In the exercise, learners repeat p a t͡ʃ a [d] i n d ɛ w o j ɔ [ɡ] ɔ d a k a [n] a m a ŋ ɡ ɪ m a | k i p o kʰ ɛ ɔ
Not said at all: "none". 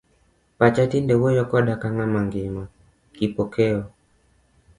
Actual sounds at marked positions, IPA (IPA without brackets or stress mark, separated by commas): t, k, ŋ